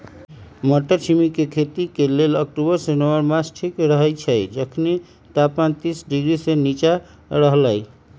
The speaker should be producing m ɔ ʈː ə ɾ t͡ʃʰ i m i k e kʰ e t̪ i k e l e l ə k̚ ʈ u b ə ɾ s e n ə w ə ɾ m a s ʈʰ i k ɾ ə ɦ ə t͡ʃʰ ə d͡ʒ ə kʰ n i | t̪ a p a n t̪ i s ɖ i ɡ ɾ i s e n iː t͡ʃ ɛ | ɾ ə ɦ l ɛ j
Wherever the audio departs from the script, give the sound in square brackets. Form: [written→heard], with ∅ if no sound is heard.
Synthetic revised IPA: m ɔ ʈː ə ɾ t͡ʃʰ i m i k e kʰ e t̪ i k e l e l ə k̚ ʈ u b ə ɾ s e n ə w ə ɾ m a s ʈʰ i k ɾ ə ɦ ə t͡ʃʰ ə d͡ʒ ə kʰ n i | t̪ a p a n t̪ i s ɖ i ɡ ɾ i s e n [iː→i] t͡ʃ [ɛ→a] | ɾ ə ɦ l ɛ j